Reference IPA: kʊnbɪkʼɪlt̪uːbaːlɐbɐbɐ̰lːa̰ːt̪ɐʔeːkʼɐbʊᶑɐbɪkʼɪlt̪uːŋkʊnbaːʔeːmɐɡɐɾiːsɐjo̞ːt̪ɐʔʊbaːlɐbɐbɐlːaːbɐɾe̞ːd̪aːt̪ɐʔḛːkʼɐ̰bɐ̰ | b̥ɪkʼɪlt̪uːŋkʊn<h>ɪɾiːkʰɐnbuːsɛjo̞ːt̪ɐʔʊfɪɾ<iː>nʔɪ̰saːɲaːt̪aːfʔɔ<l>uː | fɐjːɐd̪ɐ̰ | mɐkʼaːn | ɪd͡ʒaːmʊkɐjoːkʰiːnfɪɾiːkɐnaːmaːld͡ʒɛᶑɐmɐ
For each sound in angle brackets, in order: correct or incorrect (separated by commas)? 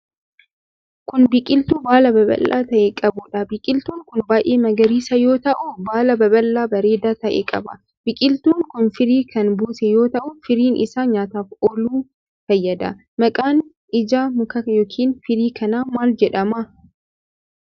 incorrect, correct, correct